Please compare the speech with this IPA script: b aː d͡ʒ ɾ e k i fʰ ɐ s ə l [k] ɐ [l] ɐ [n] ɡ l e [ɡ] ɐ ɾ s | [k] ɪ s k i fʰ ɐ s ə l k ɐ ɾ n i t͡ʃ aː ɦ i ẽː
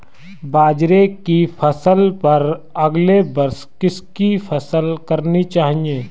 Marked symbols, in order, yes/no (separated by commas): no, no, no, no, yes